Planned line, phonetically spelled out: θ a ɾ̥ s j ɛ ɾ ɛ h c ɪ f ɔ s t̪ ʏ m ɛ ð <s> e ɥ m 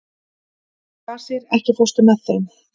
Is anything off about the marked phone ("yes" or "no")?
yes